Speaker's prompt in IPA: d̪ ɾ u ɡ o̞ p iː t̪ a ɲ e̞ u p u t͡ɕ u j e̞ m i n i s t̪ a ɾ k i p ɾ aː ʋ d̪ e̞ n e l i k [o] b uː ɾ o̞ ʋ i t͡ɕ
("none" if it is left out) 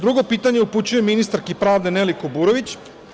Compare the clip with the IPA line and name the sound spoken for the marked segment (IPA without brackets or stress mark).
o